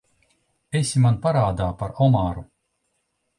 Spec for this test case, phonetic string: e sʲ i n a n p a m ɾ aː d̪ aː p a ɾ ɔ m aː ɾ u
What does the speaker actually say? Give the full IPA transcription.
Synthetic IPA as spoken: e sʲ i m a n p a ɾ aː d̪ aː p a ɾ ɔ m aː ɾ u